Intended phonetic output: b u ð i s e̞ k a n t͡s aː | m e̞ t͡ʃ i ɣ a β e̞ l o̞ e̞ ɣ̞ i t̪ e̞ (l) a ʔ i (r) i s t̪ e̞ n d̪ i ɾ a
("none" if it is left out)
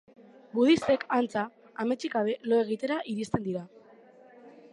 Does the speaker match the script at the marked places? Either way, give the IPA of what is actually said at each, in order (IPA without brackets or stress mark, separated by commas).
ɾ, ɾ